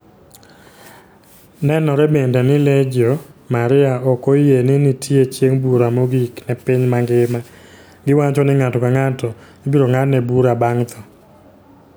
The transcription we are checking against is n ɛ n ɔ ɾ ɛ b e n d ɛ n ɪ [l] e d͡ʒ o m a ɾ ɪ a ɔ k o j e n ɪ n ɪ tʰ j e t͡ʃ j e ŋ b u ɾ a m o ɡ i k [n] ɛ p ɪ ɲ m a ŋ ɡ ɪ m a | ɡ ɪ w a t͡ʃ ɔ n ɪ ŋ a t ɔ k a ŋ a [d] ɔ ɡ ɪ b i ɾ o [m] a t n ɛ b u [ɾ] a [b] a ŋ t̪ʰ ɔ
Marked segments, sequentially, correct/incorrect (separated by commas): correct, correct, incorrect, incorrect, correct, correct